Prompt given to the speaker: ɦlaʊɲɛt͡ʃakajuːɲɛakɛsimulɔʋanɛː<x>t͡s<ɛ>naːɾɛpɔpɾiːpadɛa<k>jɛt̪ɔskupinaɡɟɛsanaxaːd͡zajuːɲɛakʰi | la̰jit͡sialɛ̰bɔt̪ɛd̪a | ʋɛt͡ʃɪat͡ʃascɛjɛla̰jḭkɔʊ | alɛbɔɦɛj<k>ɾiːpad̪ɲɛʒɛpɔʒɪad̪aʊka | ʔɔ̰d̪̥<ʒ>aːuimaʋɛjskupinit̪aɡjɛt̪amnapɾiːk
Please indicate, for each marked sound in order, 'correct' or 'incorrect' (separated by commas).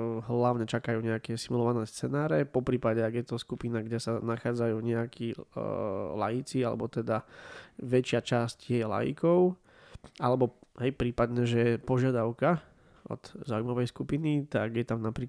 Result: incorrect, correct, incorrect, incorrect, incorrect